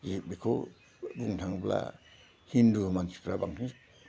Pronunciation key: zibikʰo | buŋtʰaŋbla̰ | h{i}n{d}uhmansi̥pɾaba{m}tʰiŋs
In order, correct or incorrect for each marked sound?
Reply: correct, correct, incorrect: ŋ

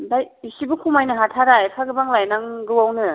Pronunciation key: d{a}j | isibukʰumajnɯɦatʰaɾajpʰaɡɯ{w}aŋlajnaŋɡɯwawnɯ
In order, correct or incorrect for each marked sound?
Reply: correct, incorrect: b

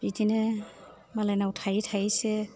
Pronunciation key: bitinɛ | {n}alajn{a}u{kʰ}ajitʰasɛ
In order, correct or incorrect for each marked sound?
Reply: incorrect: m, correct, incorrect: tʰ

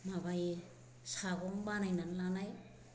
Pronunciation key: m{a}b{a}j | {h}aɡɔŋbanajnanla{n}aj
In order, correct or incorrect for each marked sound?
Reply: correct, correct, incorrect: s, correct

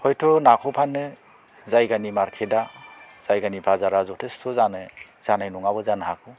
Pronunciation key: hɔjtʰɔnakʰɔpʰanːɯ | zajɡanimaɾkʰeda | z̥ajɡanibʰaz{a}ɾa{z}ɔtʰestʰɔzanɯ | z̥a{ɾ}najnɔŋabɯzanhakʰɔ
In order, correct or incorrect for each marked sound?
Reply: correct, correct, incorrect: none

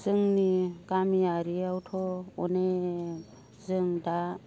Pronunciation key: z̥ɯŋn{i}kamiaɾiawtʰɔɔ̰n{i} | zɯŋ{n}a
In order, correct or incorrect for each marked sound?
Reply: correct, incorrect: e, incorrect: d

